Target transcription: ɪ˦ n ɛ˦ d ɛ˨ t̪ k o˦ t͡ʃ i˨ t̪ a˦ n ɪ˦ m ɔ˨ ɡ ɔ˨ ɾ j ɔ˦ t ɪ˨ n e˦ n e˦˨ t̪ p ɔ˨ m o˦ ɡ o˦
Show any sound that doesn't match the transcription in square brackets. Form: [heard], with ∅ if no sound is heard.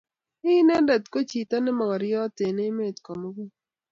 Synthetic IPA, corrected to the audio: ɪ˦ n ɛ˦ d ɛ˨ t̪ k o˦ t͡ʃ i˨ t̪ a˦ n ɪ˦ m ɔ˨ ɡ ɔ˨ ɾ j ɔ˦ t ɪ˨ n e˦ [m] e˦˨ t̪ [k] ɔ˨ m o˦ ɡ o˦